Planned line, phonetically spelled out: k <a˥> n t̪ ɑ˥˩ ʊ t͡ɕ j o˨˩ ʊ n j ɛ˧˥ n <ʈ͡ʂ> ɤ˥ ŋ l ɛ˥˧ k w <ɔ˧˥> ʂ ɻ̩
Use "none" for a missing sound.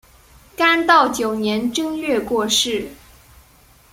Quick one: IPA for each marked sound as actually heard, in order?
a˥, ʈ͡ʂ, ɔ˥˧

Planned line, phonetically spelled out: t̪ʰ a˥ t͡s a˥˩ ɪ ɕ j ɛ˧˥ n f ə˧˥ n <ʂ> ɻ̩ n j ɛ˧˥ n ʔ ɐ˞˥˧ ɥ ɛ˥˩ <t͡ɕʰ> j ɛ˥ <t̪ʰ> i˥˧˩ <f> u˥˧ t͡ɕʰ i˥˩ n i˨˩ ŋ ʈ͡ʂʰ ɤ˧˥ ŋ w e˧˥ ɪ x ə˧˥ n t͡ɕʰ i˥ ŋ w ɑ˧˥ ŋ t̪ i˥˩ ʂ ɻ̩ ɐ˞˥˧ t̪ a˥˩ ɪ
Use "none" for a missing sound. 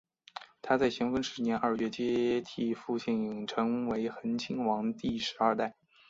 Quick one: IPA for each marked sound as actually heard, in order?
ʂ, t͡ɕ, t̪ʰ, f

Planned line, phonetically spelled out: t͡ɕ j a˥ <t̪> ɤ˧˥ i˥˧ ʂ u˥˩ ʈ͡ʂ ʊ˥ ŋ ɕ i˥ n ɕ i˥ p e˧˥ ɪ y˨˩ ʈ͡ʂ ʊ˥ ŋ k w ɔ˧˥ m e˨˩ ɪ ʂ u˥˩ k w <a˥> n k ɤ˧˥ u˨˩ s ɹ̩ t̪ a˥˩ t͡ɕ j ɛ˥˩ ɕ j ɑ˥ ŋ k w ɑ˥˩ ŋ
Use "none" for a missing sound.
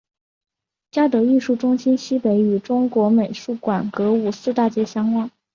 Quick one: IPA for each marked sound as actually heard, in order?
t̪, a˨˩

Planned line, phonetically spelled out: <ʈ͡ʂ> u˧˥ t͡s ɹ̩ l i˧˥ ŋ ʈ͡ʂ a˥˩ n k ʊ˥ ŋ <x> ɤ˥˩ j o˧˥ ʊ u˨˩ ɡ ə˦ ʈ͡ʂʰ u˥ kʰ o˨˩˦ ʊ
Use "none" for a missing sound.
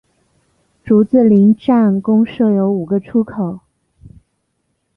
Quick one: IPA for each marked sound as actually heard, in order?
ʈ͡ʂ, ʂ

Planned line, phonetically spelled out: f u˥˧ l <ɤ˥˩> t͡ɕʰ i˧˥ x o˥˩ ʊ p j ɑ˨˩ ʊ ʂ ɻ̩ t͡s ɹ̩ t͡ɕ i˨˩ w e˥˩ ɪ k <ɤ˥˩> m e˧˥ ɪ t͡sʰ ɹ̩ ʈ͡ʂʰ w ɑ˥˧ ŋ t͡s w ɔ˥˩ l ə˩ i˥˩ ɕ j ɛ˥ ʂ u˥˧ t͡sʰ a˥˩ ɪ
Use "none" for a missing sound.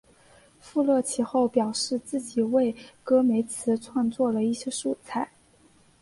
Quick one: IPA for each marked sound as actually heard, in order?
ɤ˥˩, ɤ˥

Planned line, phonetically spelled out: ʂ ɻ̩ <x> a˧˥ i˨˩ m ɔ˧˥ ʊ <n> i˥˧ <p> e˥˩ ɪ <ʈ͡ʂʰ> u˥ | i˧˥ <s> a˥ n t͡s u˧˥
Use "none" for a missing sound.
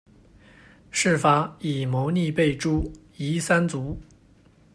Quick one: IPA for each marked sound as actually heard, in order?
f, n, p, ʈ͡ʂ, s

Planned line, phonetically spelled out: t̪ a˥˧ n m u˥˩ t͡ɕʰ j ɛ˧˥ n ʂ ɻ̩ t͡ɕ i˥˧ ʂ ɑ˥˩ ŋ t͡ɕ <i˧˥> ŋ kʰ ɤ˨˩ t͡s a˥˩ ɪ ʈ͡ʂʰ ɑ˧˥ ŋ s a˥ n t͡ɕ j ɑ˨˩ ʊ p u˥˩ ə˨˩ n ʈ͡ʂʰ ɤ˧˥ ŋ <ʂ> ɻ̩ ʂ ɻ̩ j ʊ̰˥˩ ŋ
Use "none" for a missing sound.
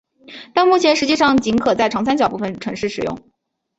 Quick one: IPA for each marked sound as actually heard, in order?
i˧˥, ʂ

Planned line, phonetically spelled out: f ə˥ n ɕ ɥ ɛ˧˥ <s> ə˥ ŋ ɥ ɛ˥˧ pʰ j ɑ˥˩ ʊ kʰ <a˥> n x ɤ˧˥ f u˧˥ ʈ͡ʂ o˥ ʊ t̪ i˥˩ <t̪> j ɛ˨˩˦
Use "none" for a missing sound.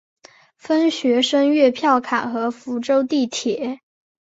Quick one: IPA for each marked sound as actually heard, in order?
ʂ, a˨˩, t̪ʰ

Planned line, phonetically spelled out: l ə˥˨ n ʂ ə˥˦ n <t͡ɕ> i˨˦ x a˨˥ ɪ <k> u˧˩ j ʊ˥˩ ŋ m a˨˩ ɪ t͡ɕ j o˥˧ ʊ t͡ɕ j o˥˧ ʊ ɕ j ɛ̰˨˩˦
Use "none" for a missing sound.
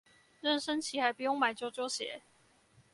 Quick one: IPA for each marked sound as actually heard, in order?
t͡ɕʰ, p

